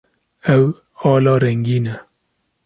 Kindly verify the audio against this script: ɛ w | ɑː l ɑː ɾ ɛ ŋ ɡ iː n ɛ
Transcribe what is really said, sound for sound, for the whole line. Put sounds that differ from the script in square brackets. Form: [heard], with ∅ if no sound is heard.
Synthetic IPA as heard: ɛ w | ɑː l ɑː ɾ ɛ ŋ ɡ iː n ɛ